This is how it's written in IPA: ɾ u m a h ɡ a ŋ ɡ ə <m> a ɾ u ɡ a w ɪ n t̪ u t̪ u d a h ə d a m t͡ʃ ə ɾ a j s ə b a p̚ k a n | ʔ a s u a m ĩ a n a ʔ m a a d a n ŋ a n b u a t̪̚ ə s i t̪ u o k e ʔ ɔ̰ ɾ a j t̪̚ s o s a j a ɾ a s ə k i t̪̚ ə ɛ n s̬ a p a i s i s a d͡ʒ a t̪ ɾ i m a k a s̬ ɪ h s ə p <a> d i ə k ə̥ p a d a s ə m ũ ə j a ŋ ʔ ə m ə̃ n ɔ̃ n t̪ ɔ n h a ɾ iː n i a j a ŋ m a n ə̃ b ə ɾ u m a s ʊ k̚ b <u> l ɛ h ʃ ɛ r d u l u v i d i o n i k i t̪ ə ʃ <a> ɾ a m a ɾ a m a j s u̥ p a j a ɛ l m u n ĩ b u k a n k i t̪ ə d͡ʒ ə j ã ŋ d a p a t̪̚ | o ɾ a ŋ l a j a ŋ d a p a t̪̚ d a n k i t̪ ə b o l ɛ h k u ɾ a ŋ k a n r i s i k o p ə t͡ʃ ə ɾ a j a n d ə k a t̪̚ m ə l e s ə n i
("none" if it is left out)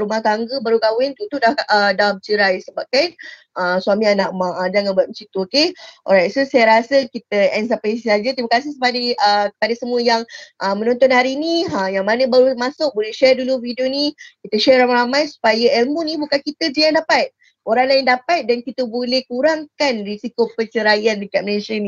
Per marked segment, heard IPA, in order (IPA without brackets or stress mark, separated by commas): b, a, o, ɛ